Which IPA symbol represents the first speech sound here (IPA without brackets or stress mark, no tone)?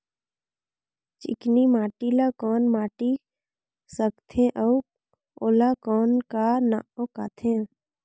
t͡ʃ